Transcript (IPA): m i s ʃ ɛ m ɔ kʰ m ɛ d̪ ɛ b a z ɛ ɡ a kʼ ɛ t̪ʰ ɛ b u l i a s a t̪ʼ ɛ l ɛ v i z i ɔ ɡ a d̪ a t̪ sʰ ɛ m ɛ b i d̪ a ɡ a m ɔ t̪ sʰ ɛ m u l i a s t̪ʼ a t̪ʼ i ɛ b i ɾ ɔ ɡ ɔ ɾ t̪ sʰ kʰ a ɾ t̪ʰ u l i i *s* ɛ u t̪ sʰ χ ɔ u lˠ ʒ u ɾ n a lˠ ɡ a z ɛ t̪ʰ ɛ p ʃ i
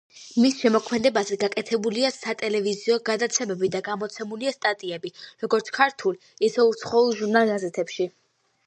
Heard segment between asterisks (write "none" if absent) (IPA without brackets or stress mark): s